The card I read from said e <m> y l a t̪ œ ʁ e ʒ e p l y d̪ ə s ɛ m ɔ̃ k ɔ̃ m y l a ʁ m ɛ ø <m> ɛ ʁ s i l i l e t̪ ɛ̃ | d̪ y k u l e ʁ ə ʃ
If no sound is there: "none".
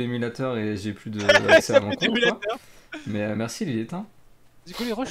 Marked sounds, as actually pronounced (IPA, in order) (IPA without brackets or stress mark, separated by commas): m, m